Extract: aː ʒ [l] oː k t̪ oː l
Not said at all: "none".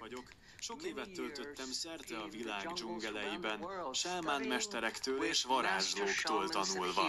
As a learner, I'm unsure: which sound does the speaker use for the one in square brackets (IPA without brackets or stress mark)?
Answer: l